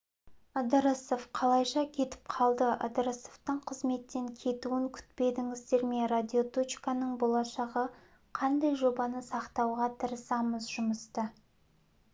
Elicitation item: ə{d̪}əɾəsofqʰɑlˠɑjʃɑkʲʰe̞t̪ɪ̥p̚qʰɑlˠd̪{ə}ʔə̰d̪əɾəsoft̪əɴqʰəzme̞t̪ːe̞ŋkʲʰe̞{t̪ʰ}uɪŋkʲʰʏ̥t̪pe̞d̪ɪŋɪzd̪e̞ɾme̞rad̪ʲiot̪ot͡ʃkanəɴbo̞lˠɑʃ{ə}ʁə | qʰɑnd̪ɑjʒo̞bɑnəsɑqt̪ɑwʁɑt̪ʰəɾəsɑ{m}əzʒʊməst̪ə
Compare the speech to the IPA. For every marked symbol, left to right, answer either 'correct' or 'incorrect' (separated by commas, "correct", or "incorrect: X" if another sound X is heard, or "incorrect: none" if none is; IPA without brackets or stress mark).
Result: correct, correct, incorrect: t̪, incorrect: ɑ, correct